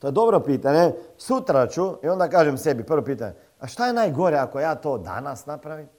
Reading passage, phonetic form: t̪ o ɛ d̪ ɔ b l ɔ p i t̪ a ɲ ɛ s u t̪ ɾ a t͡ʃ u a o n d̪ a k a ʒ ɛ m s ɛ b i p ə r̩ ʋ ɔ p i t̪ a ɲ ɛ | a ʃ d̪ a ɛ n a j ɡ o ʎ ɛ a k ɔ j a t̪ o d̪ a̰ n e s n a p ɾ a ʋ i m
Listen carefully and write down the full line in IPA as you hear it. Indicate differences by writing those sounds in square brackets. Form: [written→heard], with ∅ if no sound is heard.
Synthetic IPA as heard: t̪ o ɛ d̪ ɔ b [l→ɾ] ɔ p i t̪ a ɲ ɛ s u t̪ ɾ a t͡ʃ u [a→i] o n d̪ a k a ʒ ɛ m s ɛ b i p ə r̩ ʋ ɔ p i t̪ a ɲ ɛ | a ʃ [d̪→t̪] a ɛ n a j ɡ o [ʎ→ɾ] ɛ a k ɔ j a t̪ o d̪ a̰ n [e→a] s n a p ɾ a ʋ i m